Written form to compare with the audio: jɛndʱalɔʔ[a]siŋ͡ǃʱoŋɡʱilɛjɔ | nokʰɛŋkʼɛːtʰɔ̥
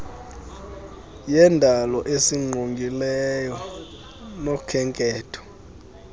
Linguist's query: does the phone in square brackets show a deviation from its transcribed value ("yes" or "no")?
yes